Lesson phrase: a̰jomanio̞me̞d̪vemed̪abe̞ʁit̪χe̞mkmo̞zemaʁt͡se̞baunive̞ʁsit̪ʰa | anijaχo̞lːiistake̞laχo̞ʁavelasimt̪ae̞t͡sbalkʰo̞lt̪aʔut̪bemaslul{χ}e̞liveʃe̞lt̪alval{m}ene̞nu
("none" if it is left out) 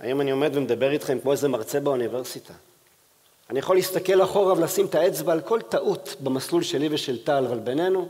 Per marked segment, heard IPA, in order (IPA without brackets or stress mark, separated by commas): ʃ, b